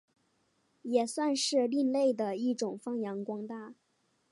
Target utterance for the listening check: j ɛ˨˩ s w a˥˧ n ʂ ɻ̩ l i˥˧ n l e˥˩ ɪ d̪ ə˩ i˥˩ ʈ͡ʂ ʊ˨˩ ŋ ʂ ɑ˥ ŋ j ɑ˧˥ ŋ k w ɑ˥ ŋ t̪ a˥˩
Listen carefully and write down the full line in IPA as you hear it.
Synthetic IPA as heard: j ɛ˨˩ s w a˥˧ n ʂ ɻ̩ l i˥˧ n l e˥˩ ɪ d̪ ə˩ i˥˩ ʈ͡ʂ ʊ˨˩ ŋ f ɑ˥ ŋ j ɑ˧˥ ŋ k w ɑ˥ ŋ t̪ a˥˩